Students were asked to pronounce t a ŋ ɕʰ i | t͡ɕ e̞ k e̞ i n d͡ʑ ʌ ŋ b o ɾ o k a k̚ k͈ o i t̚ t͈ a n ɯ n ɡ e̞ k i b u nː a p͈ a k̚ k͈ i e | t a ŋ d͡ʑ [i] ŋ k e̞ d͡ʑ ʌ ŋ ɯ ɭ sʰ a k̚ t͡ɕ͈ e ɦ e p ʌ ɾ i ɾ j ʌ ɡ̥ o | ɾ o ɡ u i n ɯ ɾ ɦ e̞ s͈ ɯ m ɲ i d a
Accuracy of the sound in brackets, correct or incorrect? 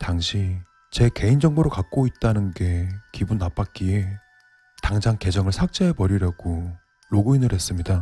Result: incorrect